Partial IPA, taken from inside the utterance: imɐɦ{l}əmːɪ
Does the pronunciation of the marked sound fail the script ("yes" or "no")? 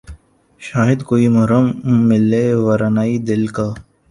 yes